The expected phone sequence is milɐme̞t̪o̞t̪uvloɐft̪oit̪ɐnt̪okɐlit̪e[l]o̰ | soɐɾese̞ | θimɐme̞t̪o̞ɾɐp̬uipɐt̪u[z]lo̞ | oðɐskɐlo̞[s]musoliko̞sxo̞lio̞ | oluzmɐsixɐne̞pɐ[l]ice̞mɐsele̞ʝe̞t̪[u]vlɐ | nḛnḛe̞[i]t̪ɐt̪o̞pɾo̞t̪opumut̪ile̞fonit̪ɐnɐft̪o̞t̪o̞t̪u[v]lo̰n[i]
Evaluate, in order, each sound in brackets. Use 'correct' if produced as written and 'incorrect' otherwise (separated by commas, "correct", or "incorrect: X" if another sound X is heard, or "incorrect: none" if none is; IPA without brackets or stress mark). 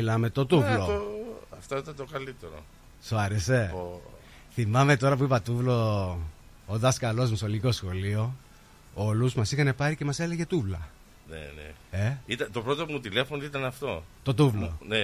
incorrect: ɾ, incorrect: v, incorrect: z, incorrect: ɾ, correct, correct, correct, incorrect: e